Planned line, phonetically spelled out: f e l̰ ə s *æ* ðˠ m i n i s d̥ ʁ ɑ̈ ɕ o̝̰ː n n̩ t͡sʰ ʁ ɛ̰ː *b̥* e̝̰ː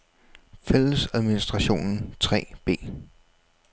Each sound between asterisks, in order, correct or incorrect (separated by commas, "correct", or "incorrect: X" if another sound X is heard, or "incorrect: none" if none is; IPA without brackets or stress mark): correct, correct